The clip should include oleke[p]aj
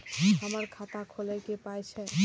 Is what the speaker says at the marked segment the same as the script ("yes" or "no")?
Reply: yes